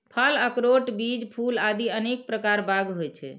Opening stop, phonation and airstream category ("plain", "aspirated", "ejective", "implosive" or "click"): aspirated